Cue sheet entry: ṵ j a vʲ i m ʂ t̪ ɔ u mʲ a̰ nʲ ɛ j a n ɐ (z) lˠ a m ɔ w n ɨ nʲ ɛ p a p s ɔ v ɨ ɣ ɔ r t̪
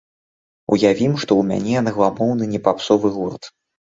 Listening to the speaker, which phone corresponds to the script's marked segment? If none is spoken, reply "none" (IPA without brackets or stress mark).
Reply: ɣ